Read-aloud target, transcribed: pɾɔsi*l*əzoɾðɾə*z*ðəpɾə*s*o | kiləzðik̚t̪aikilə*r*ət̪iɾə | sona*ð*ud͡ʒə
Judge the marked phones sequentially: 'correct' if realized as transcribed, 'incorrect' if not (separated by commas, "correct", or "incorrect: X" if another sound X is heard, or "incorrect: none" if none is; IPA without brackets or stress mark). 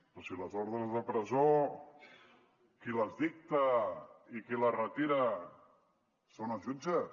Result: correct, correct, incorrect: z, correct, incorrect: ʒ